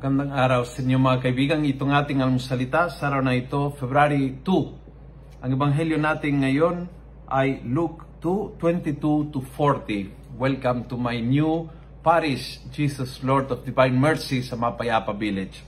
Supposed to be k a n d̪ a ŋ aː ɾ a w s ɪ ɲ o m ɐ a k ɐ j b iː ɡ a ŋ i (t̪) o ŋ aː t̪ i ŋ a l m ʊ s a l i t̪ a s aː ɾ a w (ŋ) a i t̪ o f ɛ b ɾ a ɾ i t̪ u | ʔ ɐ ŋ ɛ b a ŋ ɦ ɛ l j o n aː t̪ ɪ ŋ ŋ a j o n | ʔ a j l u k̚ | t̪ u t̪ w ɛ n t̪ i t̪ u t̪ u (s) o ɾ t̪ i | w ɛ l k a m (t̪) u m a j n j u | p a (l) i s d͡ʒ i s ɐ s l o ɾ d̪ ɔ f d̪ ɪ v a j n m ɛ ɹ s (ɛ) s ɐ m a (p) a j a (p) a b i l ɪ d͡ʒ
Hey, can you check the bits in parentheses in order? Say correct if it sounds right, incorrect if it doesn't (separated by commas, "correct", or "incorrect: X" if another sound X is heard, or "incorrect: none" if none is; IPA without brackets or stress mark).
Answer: correct, incorrect: n, incorrect: f, correct, incorrect: ɾ, incorrect: i, correct, correct